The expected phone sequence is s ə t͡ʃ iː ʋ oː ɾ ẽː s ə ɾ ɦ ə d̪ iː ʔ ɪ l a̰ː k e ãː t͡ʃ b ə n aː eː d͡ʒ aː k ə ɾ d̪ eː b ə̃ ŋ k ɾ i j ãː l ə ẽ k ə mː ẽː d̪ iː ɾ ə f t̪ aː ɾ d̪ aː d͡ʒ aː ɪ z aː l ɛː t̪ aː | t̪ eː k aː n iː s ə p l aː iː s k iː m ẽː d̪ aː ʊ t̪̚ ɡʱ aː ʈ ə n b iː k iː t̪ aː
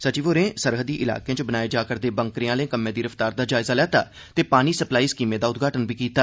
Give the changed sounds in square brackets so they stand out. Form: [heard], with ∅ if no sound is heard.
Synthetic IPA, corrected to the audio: s ə t͡ʃ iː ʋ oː ɾ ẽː s ə ɾ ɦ ə d̪ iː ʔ ɪ l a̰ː k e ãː t͡ʃ b ə n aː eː d͡ʒ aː k ə ɾ d̪ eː b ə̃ ŋ k ɾ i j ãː l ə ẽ k ə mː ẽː d̪ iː ɾ ə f t̪ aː ɾ d̪ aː d͡ʒ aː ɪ z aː l ɛː t̪ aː | t̪ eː [p] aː n iː s ə p l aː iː s k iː m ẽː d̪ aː ʊ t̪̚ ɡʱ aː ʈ ə n b iː k iː t̪ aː